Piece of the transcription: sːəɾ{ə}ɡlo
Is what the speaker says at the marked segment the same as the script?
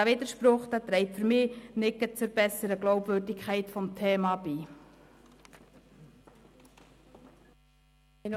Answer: yes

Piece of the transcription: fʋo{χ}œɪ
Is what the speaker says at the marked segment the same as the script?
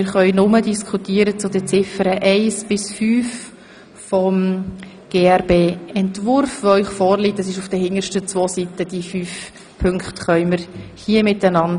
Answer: no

